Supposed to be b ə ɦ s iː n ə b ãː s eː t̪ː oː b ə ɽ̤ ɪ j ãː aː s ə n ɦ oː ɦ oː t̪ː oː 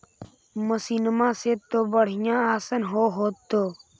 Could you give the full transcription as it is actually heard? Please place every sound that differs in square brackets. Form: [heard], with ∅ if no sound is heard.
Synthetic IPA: [m] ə [∅] s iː n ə [m] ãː s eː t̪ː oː b ə ɽ̤ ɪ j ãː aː s ə n ɦ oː ɦ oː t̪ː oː